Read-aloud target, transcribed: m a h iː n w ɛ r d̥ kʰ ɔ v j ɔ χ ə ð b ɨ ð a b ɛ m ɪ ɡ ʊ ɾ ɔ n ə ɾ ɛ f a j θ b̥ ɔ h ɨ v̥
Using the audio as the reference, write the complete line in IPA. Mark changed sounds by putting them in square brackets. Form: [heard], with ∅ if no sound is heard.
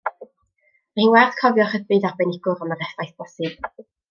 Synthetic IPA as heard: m a h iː n w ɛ r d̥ kʰ ɔ v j ɔ χ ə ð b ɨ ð a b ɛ [n] ɪ ɡ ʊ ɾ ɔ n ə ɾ ɛ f a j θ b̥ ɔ [s] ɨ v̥